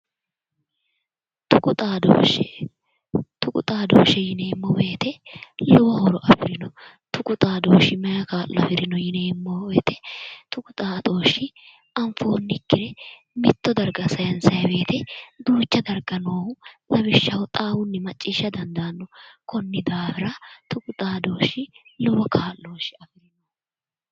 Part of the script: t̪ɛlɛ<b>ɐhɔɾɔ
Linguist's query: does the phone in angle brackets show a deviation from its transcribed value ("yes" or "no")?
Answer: yes